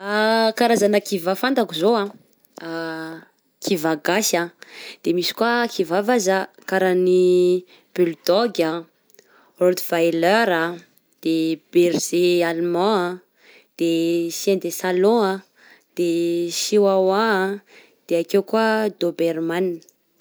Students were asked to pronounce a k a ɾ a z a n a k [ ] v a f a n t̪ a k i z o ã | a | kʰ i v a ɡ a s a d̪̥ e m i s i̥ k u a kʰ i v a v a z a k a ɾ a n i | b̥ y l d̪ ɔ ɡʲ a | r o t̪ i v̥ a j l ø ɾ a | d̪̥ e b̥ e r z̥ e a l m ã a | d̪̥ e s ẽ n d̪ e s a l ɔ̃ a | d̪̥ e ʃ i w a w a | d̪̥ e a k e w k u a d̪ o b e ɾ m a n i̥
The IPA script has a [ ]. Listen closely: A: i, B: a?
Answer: A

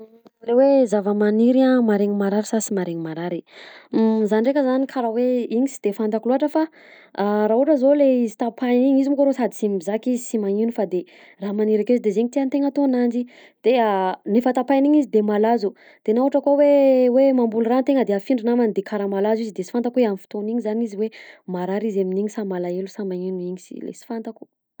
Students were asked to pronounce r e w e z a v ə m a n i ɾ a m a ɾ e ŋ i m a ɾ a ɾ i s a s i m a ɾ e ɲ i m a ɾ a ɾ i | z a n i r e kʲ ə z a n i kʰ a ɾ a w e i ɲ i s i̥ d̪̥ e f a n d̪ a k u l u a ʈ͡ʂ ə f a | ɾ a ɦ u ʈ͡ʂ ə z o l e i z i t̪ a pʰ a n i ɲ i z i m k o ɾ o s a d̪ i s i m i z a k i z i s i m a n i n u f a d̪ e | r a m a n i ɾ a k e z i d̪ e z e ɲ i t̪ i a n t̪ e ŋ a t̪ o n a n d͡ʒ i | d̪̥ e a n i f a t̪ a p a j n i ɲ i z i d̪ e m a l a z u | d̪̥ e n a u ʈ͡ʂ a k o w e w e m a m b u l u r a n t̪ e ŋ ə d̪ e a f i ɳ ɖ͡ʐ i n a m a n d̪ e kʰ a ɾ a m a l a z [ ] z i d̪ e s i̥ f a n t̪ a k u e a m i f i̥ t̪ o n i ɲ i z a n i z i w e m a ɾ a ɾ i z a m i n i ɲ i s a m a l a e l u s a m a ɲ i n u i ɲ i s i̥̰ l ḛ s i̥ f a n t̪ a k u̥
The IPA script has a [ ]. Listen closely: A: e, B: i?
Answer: B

